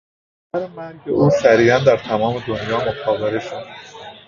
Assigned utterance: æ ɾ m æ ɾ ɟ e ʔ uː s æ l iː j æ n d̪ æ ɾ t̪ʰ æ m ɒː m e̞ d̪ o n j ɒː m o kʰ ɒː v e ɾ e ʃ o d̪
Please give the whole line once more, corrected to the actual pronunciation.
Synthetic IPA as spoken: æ ɾ m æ ɾ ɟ e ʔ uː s æ ɾ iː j æ n d̪ æ ɾ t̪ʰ æ m ɒː m e̞ d̪ o n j ɒː m o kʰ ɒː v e ɾ e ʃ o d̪